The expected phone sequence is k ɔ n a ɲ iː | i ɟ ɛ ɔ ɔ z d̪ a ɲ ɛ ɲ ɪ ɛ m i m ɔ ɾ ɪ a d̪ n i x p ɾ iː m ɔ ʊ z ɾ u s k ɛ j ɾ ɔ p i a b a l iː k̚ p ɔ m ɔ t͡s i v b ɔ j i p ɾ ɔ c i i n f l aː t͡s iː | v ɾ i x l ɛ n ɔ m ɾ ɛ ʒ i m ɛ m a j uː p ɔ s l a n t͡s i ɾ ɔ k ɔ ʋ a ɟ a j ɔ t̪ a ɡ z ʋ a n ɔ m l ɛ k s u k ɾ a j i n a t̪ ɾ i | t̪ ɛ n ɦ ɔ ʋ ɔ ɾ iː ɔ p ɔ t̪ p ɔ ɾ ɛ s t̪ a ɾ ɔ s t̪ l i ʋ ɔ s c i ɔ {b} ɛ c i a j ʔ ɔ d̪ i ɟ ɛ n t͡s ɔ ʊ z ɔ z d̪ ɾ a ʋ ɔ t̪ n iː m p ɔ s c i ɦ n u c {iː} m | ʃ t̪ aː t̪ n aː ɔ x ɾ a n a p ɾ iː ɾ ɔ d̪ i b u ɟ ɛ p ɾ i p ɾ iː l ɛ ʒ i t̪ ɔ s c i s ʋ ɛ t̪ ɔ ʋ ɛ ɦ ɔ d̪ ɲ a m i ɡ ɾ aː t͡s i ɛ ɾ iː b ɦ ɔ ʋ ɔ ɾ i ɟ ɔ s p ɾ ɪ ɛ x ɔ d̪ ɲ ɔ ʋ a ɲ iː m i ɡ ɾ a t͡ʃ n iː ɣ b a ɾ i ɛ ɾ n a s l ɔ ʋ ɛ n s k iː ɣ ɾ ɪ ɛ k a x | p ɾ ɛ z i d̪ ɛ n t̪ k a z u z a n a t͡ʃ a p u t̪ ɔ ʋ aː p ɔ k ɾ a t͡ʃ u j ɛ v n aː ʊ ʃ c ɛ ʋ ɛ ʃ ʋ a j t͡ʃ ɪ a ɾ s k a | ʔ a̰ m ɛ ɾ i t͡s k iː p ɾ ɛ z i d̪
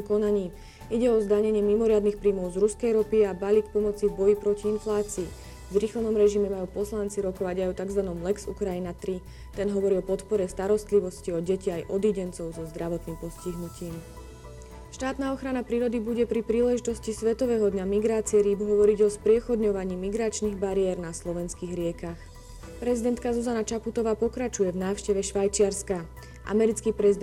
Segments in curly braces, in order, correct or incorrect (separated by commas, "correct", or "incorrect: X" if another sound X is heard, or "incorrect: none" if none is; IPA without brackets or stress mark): incorrect: ɟ, correct